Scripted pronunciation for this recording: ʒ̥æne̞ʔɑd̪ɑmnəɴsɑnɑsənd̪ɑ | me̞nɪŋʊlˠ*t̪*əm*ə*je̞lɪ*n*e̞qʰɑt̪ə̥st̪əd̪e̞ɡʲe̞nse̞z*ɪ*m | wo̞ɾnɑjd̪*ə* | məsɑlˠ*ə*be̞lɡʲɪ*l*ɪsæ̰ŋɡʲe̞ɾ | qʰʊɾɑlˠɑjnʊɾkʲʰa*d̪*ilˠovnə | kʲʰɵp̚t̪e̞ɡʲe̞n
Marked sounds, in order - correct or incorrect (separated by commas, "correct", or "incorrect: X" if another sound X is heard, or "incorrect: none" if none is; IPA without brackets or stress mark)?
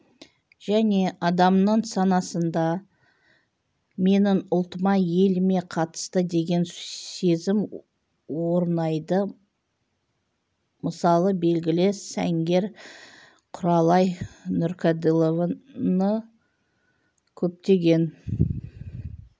correct, incorrect: ɑ, incorrect: m, correct, correct, correct, correct, correct